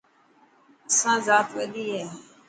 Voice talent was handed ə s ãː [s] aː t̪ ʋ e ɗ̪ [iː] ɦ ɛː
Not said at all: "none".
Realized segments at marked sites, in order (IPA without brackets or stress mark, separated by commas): z, iː